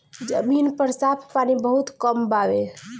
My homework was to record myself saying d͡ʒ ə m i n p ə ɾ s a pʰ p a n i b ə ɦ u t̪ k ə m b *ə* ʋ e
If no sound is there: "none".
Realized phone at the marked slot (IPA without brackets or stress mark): a